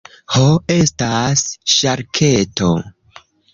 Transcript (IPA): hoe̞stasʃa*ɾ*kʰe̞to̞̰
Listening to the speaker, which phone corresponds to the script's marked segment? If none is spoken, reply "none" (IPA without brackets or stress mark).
ɾ